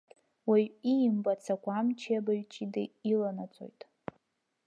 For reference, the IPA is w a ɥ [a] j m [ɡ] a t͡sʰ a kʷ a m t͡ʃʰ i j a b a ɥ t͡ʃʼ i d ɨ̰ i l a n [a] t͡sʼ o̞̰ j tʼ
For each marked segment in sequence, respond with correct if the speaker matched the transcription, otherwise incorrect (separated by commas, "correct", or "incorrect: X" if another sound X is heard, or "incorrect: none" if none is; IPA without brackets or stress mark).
incorrect: i, incorrect: b, correct